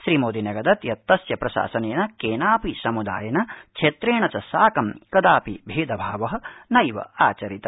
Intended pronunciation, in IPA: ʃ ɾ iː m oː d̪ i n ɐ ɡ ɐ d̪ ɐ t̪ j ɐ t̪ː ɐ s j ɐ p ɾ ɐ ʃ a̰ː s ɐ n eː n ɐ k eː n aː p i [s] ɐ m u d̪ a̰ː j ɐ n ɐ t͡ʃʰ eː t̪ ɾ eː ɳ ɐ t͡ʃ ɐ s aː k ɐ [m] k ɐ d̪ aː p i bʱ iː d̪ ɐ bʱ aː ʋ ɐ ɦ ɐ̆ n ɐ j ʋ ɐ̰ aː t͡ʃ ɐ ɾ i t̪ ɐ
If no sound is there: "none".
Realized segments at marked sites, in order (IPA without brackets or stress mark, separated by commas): s, m